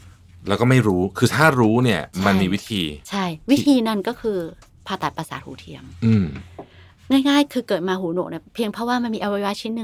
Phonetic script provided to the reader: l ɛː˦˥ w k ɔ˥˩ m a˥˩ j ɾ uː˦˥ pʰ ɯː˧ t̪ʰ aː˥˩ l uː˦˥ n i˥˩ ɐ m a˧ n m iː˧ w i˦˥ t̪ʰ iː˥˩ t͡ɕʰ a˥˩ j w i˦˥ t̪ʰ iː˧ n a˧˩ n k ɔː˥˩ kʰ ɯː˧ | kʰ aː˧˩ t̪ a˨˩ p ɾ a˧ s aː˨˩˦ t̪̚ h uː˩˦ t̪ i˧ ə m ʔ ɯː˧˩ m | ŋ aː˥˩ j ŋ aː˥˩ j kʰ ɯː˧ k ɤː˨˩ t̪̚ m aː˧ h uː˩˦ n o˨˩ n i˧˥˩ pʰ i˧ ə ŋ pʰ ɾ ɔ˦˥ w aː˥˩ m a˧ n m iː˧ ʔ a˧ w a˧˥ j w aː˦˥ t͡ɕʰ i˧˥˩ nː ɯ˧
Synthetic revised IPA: l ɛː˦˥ w k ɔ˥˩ m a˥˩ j ɾ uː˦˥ kʰ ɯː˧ t̪ʰ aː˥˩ ɾ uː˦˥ n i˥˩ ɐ m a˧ n m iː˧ w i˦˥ t̪ʰ iː˧ t͡ɕʰ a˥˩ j w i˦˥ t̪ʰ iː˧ n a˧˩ n k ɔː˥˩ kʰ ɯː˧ | pʰ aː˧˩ t̪ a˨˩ p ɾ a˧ s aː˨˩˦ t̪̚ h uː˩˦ t̪ʰ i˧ ə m ʔ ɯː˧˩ m | ŋ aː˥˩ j ŋ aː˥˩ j kʰ ɯː˧ k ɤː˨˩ t̪̚ m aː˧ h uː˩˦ n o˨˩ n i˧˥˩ pʰ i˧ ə ŋ pʰ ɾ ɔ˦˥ w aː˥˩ m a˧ n m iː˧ ʔ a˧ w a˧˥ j w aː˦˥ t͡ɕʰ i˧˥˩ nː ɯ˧